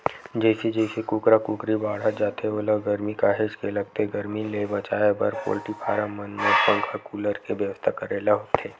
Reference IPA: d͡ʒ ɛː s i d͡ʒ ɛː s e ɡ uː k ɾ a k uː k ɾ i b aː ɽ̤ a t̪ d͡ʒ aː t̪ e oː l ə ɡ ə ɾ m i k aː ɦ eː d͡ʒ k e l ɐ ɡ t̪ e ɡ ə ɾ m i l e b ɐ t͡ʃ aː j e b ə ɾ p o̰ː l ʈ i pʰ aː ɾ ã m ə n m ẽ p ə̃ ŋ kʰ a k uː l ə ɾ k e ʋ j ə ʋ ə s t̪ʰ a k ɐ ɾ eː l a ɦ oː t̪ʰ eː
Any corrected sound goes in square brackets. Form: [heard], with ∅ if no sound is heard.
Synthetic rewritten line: d͡ʒ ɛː s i d͡ʒ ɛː s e [k] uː k ɾ a k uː k ɾ i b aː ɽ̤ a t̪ d͡ʒ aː t̪ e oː l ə ɡ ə ɾ m i k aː ɦ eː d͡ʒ k e l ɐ ɡ t̪ e ɡ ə ɾ m i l e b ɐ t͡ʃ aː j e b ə ɾ p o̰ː l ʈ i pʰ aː ɾ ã m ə n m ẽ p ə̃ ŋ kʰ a k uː l ə ɾ k e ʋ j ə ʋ ə s t̪ʰ a k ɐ ɾ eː l a ɦ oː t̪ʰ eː

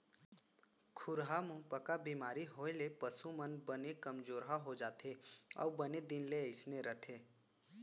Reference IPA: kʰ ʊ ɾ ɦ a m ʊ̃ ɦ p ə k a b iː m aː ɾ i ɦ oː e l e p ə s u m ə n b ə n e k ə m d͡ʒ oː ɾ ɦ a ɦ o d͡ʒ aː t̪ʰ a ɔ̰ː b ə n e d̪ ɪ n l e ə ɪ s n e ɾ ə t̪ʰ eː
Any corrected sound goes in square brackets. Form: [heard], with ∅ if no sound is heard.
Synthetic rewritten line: kʰ ʊ ɾ ɦ a m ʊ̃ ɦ p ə k a b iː m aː ɾ i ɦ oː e l e p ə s u m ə n b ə n e k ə m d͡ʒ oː ɾ ɦ a ɦ o d͡ʒ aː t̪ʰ [e] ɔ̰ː b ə n e d̪ ɪ n l e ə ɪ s n e ɾ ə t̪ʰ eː

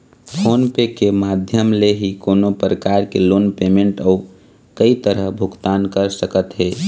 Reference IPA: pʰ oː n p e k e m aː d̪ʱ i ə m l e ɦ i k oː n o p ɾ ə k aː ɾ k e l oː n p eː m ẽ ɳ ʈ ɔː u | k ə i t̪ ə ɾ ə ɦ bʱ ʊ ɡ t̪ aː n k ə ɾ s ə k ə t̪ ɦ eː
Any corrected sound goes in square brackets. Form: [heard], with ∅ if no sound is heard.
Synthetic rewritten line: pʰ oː n p e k e m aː d̪ʱ [j] ə m l e ɦ i k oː n o p ɾ ə k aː ɾ k e l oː n p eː m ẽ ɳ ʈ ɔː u | k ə i t̪ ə ɾ ə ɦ bʱ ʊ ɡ t̪ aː n k ə ɾ s ə k ə t̪ ɦ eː

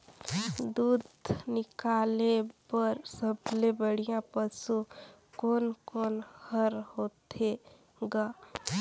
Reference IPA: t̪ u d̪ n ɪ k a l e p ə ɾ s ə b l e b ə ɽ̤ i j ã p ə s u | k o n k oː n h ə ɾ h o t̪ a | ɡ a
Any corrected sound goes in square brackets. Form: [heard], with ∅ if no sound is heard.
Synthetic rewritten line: [d̪] u d̪ n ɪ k a l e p ə ɾ s ə b l e b ə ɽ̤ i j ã p ə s u | k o n k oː n h ə ɾ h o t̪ [e] | ɡ a

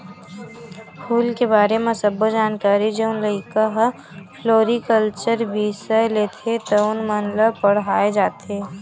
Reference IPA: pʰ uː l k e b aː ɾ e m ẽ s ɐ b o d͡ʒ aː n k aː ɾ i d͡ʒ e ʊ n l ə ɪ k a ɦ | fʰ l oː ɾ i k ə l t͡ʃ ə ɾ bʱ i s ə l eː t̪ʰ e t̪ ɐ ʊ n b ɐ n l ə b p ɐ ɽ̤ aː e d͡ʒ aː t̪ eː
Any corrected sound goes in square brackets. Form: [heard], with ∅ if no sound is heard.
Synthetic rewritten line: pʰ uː l k e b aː ɾ e m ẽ s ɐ b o d͡ʒ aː n k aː ɾ i d͡ʒ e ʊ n l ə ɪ k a ɦ | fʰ l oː ɾ i k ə l t͡ʃ ə ɾ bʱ i s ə l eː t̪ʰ e t̪ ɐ ʊ n [m] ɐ n l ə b p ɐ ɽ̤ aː e d͡ʒ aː t̪ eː

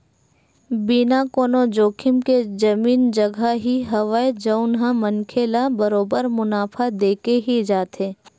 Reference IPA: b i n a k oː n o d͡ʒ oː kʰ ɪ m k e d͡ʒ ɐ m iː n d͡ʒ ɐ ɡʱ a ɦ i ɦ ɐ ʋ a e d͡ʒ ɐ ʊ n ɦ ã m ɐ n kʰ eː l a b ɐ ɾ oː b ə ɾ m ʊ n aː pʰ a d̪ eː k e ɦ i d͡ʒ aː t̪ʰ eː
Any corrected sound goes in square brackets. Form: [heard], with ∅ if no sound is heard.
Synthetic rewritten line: b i n a k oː n o d͡ʒ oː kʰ ɪ m k e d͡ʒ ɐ m iː n d͡ʒ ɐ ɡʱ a ɦ i ɦ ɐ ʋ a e d͡ʒ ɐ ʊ n ɦ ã m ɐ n kʰ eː l a b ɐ ɾ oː b ə ɾ m ʊ n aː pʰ a d̪ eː k e ɦ i d͡ʒ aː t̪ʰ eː

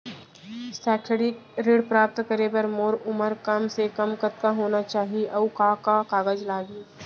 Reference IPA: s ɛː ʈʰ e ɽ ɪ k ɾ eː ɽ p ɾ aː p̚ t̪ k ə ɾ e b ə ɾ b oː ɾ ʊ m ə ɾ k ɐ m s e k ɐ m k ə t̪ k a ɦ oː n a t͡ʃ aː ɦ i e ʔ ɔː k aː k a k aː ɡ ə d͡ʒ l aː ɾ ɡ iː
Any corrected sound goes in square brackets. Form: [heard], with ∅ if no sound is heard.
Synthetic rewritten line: s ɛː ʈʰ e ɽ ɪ k ɾ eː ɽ p ɾ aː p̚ t̪ k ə ɾ e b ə ɾ [m] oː ɾ ʊ m ə ɾ k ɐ m s e k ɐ m k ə t̪ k a ɦ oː n a t͡ʃ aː ɦ i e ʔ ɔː k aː k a k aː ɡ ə d͡ʒ l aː [∅] ɡ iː

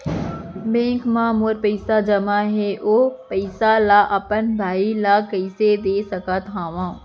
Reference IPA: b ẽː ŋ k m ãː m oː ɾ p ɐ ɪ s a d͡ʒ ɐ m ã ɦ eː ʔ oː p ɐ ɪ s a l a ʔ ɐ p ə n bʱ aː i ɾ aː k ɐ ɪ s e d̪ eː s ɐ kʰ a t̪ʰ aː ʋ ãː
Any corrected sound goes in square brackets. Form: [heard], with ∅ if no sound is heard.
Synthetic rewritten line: b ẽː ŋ k m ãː m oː ɾ p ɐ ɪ s a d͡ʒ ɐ m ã ɦ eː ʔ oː p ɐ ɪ s a l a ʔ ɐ p ə n bʱ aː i [l] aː k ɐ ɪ s e d̪ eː s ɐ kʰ a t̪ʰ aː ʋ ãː

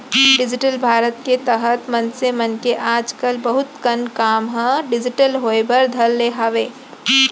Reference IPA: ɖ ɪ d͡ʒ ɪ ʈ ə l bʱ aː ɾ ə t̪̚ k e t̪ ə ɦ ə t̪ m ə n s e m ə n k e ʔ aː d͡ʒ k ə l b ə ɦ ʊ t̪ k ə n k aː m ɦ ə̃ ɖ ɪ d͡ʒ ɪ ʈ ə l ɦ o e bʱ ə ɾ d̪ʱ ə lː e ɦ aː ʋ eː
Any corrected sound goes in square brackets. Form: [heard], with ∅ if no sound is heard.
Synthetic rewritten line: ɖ ɪ d͡ʒ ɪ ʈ ə l bʱ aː ɾ ə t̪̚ k e t̪ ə ɦ ə t̪ m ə n s e m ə n k e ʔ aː d͡ʒ k ə l b ə ɦ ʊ t̪ k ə n k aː m ɦ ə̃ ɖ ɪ d͡ʒ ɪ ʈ ə l ɦ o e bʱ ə ɾ d̪ʱ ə lː e ɦ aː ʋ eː

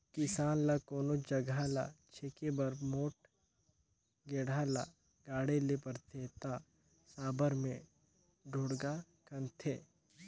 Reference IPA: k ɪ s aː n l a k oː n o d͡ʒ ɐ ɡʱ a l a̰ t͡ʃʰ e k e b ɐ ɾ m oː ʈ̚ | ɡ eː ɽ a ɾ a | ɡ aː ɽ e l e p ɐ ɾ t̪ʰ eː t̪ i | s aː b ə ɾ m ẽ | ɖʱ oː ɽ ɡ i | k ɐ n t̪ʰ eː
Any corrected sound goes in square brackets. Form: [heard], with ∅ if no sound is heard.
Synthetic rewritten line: k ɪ s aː n l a k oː n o d͡ʒ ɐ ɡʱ a l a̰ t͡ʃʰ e k e b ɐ ɾ m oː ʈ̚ | ɡ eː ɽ a [l] a | ɡ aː ɽ e l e p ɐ ɾ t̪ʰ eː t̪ [a] | s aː b ə ɾ m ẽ | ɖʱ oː ɽ ɡ [a] | k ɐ n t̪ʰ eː

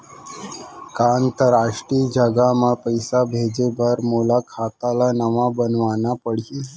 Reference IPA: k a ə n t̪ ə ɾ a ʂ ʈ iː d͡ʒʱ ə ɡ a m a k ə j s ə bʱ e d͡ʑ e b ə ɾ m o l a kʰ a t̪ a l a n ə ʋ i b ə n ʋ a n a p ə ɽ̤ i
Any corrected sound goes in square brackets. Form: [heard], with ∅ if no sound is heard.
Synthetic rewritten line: k a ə n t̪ ə ɾ a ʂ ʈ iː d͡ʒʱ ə ɡ a m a [p] ə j s [a] bʱ e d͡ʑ e b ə ɾ m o l a kʰ a t̪ a l a n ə ʋ [a] b ə n ʋ a n a p ə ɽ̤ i

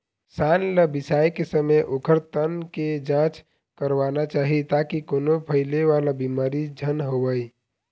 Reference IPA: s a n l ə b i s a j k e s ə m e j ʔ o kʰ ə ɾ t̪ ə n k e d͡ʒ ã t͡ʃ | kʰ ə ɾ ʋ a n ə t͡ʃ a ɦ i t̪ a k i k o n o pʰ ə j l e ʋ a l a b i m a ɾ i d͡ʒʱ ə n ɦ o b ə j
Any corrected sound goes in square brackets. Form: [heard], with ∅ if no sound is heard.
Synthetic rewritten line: s a n l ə b i s a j k e s ə m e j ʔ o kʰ ə ɾ t̪ ə n k e d͡ʒ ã t͡ʃ | [k] ə ɾ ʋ a n [a] t͡ʃ a ɦ i t̪ a k i k o n o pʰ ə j l e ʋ a l a b i m a ɾ i d͡ʒʱ ə n ɦ o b ə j

